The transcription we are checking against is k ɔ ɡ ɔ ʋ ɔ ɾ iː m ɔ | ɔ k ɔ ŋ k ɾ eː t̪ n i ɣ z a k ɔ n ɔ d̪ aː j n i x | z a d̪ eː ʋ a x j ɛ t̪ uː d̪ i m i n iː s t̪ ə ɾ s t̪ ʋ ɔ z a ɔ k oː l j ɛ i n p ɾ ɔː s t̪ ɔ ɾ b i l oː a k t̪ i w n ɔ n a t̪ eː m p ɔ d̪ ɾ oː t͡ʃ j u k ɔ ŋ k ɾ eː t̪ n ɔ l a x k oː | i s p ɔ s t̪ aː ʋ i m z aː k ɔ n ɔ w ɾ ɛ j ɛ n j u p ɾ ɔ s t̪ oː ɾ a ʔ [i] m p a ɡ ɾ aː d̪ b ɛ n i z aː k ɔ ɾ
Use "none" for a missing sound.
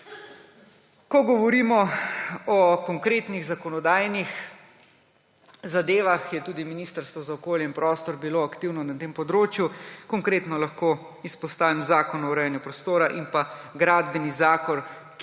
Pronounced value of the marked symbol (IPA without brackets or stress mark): i